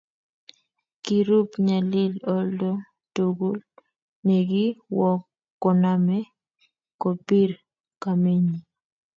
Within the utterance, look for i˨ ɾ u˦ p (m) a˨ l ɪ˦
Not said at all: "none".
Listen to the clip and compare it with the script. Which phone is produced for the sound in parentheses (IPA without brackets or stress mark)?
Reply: ɲ